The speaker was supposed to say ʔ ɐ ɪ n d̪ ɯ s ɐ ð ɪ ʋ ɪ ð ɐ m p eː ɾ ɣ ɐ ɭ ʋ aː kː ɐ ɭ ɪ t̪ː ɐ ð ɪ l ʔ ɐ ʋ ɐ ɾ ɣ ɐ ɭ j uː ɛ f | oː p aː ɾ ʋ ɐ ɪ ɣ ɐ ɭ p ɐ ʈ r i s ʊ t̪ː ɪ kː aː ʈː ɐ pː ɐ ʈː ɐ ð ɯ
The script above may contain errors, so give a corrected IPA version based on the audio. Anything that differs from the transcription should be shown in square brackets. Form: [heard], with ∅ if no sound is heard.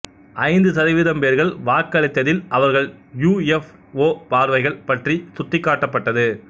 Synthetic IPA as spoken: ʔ ɐ ɪ n d̪ ɯ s ɐ ð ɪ ʋ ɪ ð ɐ m p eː ɾ ɣ ɐ ɭ ʋ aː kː ɐ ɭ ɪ t̪ː ɐ ð ɪ l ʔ ɐ ʋ ɐ ɾ ɣ ɐ ɭ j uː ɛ f | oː p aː ɾ ʋ ɐ ɪ ɣ ɐ ɭ p ɐ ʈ r i s ʊ t̪ː ɪ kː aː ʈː ɐ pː ɐ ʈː ɐ ð ɯ